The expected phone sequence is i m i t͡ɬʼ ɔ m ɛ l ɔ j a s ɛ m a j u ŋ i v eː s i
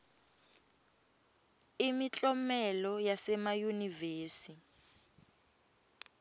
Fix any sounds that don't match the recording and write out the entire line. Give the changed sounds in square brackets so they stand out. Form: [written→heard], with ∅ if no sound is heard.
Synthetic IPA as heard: i m i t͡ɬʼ ɔ m ɛ l ɔ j a s ɛ m a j u [ŋ→n] i v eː s i